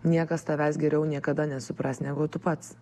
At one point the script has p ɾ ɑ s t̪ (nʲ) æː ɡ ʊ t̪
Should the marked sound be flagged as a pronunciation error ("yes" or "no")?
no